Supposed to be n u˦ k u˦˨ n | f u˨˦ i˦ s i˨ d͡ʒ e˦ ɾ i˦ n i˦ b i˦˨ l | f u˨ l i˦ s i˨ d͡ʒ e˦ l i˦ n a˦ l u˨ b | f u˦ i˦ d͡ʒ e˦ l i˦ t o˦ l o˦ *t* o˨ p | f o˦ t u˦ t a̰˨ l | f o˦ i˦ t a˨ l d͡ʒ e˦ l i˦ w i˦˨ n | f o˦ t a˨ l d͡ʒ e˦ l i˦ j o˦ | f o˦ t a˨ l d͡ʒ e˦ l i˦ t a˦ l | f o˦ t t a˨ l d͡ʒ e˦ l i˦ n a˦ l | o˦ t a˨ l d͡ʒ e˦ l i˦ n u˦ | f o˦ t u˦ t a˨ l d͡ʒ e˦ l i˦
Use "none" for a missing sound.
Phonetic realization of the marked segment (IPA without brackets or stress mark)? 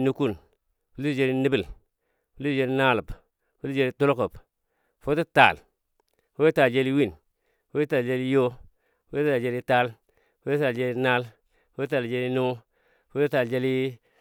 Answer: k